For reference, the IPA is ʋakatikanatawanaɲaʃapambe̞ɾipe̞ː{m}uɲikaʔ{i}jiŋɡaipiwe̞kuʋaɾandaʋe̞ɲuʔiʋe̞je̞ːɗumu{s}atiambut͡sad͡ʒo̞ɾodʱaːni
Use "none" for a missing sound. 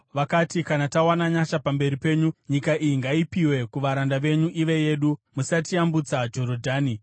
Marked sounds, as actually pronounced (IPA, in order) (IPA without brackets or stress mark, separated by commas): ɲ, i, s